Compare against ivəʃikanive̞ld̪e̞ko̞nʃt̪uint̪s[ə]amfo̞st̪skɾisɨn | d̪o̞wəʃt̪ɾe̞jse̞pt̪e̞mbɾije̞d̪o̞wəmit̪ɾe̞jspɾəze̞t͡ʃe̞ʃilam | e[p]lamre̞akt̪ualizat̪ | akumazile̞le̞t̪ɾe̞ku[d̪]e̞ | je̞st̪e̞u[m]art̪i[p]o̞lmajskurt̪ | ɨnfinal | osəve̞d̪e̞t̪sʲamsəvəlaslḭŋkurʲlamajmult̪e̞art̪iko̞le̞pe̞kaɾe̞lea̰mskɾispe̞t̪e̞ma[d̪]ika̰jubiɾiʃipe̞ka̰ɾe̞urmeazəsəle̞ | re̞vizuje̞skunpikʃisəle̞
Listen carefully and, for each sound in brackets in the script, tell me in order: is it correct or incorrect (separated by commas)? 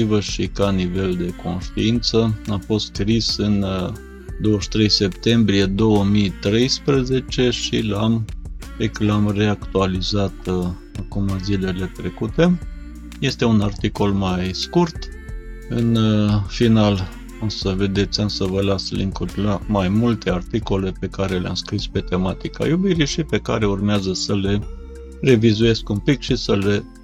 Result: correct, incorrect, incorrect, incorrect, incorrect, incorrect